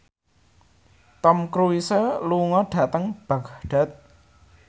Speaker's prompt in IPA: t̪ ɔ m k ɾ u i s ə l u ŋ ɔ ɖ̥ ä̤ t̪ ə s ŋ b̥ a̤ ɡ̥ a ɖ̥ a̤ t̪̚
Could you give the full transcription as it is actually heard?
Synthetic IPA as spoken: t̪ ɔ m k ɾ u i s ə l u ŋ ɔ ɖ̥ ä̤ t̪ ə ŋ b̥ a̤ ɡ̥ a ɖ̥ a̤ t̪̚